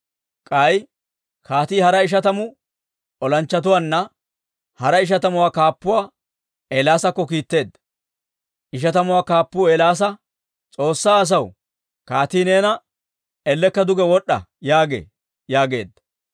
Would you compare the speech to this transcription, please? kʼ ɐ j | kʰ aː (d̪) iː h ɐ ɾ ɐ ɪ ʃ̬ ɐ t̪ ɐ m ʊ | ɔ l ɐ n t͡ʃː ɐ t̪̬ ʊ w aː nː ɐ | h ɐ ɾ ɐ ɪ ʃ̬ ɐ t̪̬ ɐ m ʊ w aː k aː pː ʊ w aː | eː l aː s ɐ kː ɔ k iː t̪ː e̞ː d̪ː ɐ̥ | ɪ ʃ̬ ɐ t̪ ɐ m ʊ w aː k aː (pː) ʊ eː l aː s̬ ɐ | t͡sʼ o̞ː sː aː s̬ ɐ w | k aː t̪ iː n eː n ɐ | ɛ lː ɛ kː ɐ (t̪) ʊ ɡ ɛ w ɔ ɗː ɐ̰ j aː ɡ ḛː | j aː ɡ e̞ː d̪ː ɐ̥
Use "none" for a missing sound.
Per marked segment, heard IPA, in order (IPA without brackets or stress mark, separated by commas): t̪, pː, d̪